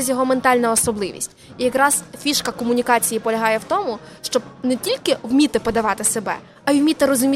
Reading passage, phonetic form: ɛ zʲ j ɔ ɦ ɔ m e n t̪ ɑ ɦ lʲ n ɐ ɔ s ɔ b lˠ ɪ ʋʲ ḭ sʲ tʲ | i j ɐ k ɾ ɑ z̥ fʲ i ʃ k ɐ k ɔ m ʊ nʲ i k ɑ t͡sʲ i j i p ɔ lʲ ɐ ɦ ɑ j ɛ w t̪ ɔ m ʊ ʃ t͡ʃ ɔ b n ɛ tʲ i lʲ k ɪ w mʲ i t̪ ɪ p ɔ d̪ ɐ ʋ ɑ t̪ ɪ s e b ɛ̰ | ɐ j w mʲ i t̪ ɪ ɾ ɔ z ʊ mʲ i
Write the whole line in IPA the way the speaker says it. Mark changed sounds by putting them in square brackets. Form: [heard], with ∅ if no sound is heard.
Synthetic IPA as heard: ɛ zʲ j ɔ ɦ ɔ m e n t̪ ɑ [∅] lʲ n ɐ ɔ s ɔ b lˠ ɪ ʋʲ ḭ sʲ tʲ | i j ɐ k ɾ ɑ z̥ fʲ i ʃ k ɐ k ɔ m ʊ nʲ i k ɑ t͡sʲ i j i p ɔ lʲ ɐ ɦ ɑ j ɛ w t̪ ɔ m ʊ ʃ t͡ʃ ɔ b n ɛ tʲ i lʲ k ɪ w mʲ i t̪ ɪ p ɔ d̪ ɐ ʋ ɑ t̪ ɪ s e b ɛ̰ | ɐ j w mʲ i t̪ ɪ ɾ ɔ z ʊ mʲ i